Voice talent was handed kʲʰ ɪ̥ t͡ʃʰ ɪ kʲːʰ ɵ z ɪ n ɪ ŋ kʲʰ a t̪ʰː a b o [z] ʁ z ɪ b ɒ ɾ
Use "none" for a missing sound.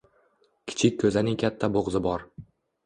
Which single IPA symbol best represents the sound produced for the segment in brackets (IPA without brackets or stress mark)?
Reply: none